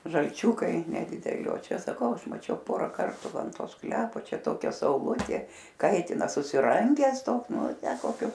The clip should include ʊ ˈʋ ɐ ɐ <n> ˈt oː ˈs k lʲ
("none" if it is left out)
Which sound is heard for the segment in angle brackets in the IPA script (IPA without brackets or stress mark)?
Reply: n